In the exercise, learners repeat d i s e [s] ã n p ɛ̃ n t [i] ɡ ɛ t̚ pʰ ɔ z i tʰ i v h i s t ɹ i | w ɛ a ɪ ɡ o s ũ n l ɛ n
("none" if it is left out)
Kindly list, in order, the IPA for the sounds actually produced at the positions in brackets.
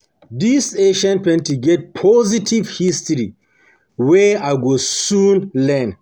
ʃ, i

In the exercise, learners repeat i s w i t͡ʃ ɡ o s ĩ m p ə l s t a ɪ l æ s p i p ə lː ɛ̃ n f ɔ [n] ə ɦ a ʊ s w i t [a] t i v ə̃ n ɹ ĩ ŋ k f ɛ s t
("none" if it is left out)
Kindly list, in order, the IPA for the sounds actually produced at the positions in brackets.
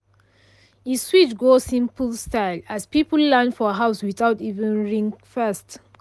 none, a

